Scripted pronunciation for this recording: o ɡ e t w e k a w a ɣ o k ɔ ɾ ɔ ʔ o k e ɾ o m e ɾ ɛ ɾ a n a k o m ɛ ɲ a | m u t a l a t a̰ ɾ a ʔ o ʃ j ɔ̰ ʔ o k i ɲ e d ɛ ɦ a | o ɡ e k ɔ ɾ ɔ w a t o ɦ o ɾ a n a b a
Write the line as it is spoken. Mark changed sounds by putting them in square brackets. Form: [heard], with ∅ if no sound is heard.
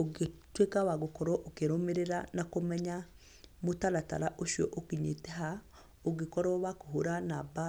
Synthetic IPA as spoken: o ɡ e t w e k a w a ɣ o k ɔ ɾ ɔ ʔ o k e ɾ o m e ɾ [e] ɾ a n a k o m ɛ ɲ a | m [o] t a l a t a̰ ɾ a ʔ o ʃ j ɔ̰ ʔ o k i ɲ e [t] ɛ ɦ a | o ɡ e k ɔ ɾ ɔ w a [k] o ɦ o ɾ a n a b a